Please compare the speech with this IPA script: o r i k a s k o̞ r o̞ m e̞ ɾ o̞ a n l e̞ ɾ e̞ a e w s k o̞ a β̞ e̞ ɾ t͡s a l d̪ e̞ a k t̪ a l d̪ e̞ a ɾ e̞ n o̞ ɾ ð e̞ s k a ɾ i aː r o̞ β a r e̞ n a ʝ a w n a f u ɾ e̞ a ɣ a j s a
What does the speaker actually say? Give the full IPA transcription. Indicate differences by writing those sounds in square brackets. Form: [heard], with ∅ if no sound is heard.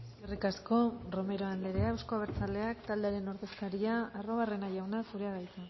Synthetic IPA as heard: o r i k a s k o̞ r o̞ m e̞ ɾ o̞ a n l e̞ ɾ e̞ a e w s k o̞ a β̞ e̞ ɾ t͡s a l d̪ e̞ a k t̪ a l d̪ e̞ a ɾ e̞ n o̞ ɾ ð e̞ s k a ɾ i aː r o̞ β a r e̞ n a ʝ a w n a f u ɾ e̞ a ɣ a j [t͡s] a